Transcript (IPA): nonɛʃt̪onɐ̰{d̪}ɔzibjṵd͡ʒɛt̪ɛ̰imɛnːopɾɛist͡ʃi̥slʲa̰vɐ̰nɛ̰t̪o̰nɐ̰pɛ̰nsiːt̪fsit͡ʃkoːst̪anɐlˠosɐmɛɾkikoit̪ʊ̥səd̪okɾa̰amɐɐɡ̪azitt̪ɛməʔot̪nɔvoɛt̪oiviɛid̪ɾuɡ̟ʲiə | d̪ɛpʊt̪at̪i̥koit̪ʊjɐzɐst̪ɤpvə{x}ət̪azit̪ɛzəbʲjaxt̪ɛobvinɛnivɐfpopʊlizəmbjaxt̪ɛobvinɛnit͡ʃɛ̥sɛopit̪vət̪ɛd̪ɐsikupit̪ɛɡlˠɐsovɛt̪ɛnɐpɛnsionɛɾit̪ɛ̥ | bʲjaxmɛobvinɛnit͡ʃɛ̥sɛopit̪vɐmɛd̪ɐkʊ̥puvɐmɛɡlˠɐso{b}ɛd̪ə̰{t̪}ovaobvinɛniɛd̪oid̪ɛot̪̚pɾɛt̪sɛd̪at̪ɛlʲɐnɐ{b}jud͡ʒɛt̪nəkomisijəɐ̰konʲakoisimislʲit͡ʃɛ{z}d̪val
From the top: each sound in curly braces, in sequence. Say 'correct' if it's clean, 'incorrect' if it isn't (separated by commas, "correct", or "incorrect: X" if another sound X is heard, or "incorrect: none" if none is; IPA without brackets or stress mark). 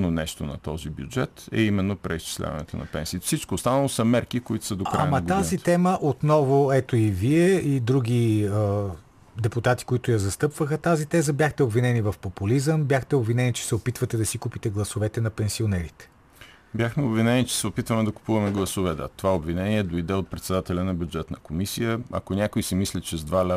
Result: incorrect: t̪, correct, incorrect: v, correct, correct, correct